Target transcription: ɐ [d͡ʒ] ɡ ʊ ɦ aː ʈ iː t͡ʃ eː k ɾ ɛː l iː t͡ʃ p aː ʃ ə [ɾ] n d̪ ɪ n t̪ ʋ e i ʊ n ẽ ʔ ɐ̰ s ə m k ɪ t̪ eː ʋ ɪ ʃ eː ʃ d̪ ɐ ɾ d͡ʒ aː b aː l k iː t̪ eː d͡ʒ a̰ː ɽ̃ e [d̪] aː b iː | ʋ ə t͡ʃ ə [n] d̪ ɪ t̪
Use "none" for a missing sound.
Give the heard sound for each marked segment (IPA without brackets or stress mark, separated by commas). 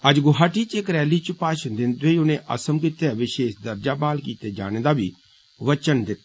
d͡ʒ, none, d̪, n